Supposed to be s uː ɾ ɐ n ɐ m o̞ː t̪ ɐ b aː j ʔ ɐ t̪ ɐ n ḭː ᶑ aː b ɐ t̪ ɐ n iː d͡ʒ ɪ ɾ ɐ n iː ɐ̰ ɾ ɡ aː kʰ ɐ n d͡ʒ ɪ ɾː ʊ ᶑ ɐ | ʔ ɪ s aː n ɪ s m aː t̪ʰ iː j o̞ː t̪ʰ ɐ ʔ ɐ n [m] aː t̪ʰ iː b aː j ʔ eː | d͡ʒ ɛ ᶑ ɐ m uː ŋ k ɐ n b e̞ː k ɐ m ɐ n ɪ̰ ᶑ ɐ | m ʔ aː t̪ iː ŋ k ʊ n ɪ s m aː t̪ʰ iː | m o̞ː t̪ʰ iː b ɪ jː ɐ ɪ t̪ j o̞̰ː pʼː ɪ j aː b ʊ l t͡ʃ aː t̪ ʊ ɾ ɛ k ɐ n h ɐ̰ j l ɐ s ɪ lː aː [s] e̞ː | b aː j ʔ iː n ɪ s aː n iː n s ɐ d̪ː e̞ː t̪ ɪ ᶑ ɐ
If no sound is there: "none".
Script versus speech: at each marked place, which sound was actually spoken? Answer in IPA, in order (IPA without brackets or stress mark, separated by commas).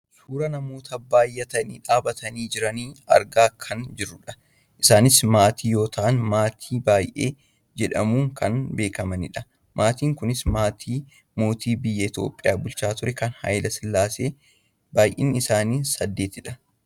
m, s